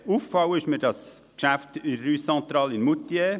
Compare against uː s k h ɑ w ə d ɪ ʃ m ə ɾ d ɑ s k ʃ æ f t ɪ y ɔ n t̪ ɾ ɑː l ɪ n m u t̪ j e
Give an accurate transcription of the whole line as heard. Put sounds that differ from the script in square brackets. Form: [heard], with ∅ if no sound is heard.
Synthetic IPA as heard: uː [f] k [f] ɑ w ə [∅] ɪ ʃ m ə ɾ d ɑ s k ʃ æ f t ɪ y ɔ n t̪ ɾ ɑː l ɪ n m u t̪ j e